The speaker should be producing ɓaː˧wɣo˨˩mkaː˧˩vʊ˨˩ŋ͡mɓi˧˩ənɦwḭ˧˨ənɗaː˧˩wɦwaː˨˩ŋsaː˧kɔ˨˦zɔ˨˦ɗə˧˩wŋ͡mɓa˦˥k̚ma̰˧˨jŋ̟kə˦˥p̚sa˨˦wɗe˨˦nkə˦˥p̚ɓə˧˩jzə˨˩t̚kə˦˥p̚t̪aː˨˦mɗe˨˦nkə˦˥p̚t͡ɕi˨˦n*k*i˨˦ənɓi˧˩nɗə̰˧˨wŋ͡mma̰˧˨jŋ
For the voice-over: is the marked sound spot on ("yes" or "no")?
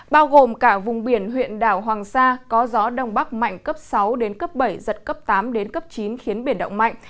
no